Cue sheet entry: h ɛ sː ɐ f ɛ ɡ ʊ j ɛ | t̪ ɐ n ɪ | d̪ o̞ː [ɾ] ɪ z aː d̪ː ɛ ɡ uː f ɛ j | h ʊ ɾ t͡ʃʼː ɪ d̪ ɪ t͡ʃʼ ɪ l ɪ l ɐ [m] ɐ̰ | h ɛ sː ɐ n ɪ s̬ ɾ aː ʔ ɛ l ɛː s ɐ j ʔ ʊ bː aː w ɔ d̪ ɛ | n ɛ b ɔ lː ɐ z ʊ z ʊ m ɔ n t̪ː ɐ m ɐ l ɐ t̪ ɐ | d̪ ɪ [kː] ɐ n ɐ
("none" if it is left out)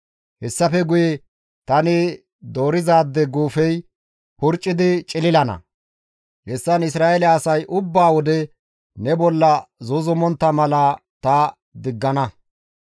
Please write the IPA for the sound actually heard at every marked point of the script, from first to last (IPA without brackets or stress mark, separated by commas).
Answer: ɾ, n, ɡː